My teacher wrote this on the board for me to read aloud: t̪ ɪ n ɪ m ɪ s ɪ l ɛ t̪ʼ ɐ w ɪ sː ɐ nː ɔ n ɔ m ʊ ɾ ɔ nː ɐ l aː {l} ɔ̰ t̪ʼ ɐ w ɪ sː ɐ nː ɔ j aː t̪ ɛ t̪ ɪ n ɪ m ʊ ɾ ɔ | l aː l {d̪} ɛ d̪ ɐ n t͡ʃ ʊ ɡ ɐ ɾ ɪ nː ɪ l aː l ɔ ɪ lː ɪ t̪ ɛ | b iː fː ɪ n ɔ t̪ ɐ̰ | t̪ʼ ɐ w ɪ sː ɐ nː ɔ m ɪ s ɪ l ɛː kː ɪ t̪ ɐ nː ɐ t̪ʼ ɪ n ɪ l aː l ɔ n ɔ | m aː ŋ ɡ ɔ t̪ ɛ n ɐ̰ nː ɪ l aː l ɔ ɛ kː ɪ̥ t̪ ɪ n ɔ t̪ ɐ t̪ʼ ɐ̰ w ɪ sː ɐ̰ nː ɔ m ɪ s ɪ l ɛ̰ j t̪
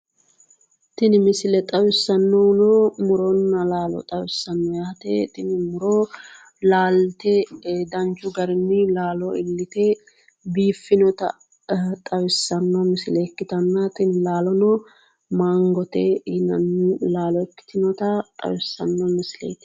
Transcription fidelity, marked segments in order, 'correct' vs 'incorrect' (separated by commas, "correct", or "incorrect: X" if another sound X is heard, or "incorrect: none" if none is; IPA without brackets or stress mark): correct, incorrect: t̪